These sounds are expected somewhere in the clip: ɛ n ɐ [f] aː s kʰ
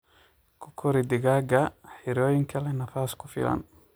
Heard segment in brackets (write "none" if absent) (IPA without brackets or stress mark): f